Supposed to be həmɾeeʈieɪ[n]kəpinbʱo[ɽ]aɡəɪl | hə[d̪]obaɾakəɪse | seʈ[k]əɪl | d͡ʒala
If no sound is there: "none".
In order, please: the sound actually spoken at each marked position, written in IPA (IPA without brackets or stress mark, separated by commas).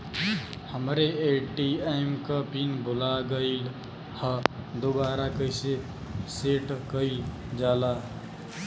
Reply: m, l, d̪, k